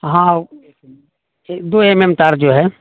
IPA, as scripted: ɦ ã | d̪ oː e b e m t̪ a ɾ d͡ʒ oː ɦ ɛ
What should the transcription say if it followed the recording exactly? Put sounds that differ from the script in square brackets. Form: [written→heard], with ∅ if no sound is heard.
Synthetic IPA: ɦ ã | d̪ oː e [b→m] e m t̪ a ɾ d͡ʒ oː ɦ ɛ